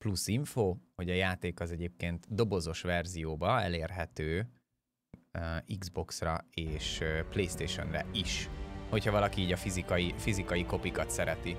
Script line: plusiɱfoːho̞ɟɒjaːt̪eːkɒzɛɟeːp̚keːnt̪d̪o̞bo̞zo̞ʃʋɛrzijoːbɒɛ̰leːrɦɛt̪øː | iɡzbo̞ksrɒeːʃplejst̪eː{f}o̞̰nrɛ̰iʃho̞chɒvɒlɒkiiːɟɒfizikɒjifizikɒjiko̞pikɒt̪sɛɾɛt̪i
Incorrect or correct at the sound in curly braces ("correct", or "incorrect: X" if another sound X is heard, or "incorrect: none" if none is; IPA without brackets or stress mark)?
incorrect: ʃ